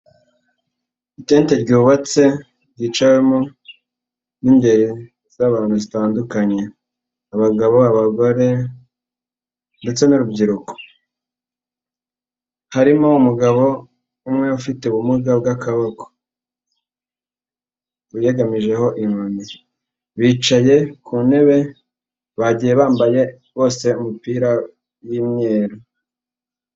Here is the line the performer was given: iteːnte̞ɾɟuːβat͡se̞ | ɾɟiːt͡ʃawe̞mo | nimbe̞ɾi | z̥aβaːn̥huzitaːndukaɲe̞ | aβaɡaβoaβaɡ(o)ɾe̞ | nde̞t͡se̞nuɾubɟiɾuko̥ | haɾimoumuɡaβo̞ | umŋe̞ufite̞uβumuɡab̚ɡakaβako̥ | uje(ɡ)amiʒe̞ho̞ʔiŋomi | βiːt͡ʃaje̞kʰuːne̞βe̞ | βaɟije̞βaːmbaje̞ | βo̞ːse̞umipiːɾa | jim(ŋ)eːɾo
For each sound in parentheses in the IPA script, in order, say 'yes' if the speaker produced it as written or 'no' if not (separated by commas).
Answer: yes, yes, no